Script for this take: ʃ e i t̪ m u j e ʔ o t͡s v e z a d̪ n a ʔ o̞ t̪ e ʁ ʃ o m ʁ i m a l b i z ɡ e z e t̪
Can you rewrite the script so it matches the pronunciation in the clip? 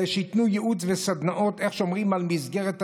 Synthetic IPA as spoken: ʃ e i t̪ n u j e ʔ u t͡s v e s a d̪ n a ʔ o̞ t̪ e χ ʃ o m ʁ i m a l m i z ɡ e ʁ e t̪